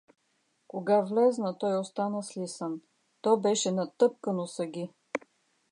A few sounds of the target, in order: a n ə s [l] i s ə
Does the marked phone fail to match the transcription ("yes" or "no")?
no